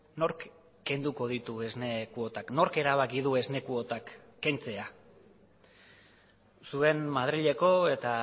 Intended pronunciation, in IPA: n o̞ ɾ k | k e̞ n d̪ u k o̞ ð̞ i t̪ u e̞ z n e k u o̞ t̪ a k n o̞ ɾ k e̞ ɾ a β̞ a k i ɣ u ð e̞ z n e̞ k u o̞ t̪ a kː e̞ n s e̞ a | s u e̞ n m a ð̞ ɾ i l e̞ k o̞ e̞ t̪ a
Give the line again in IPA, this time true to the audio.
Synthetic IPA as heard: n o̞ ɾ k | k e̞ n d̪ u k o̞ ð̞ i t̪ u e̞ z n e k u o̞ t̪ a k n o̞ ɾ k e̞ ɾ a β̞ a k i ð u e̞ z n e̞ k u o̞ t̪ a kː e̞ n t͡s e̞ a | s u e̞ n m a ð̞ ɾ i ʎ e̞ k o̞ e̞ t̪ a